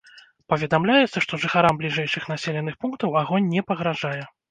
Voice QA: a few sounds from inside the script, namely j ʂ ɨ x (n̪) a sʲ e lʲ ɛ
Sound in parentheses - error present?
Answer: no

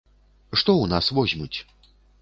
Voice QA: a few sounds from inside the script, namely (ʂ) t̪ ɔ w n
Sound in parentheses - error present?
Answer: no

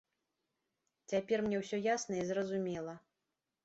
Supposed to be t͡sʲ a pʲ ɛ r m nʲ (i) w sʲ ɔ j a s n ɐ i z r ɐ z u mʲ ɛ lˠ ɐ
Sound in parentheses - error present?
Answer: yes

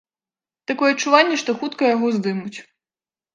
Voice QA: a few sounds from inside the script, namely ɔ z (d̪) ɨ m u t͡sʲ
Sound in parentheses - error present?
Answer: no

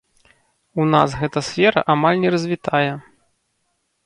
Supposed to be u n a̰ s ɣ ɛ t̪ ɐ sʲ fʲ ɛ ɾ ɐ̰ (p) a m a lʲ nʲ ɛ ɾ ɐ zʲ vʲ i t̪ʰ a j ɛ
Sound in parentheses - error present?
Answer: yes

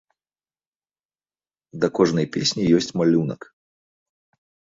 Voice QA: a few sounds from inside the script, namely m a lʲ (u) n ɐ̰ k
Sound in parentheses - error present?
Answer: no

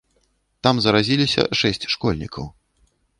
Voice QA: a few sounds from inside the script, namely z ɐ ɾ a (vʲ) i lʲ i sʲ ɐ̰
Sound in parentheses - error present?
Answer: yes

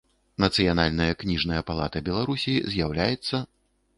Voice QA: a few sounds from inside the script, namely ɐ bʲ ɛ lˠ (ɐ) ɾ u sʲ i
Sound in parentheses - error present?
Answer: yes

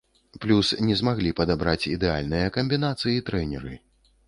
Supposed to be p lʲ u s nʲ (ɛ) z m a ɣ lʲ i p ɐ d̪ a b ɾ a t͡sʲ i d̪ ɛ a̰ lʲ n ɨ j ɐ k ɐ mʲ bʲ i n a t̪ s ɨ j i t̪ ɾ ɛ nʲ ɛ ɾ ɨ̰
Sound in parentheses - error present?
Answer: no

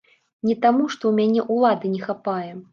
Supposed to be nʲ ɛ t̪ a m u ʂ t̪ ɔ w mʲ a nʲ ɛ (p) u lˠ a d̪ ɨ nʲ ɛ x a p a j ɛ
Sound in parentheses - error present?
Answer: yes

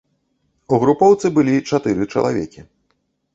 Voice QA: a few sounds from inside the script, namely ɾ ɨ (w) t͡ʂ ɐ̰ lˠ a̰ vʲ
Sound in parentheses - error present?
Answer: yes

